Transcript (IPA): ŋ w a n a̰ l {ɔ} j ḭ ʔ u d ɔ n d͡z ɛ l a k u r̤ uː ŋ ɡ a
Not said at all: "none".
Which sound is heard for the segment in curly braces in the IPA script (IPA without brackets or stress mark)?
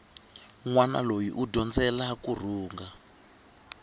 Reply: o